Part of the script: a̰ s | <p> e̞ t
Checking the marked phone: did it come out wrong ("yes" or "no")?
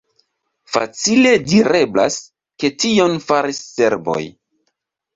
yes